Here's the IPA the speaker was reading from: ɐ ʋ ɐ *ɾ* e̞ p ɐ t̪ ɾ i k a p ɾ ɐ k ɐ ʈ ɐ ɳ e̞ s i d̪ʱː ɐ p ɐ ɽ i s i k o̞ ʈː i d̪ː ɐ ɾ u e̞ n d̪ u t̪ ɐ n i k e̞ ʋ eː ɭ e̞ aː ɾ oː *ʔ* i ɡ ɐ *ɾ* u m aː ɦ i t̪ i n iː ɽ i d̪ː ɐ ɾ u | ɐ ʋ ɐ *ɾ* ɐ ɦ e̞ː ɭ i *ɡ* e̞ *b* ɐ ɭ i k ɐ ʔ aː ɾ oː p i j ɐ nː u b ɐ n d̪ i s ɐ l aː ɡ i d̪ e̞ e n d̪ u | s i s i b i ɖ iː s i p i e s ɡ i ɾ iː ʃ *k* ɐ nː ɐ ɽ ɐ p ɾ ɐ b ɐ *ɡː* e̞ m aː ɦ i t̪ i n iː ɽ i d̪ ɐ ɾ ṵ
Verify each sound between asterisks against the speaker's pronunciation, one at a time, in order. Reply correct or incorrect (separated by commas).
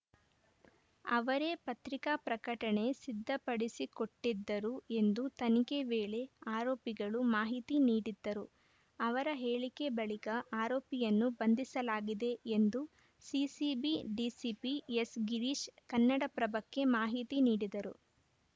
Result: correct, incorrect, incorrect, correct, incorrect, correct, correct, incorrect